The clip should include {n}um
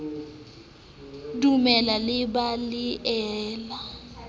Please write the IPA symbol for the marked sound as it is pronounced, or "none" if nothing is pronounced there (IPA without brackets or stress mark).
d